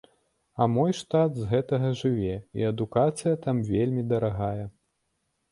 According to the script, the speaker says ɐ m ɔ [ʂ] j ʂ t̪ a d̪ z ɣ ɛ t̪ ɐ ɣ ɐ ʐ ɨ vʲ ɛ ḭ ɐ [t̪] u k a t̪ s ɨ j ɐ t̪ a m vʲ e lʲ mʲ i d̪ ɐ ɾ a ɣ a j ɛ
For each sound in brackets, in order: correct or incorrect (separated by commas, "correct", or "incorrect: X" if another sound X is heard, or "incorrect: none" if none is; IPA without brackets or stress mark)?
incorrect: none, incorrect: d̪